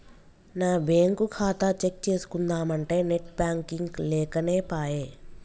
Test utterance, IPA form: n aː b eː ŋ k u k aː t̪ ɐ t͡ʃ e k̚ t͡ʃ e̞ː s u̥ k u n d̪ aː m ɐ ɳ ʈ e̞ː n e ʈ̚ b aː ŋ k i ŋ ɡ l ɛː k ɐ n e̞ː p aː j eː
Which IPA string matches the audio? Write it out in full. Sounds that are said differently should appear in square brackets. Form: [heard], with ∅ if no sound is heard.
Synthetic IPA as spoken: n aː b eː ŋ k u [kʰ] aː t̪ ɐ t͡ʃ e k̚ t͡ʃ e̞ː s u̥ k u n d̪ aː m ɐ ɳ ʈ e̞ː n e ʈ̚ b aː ŋ k i ŋ ɡ l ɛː k ɐ n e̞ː p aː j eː